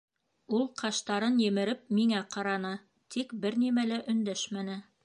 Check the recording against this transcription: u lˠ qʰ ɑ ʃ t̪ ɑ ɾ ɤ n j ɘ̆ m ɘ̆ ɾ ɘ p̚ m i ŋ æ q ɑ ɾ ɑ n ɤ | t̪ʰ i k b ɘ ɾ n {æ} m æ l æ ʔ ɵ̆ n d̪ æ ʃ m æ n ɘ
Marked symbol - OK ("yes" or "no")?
no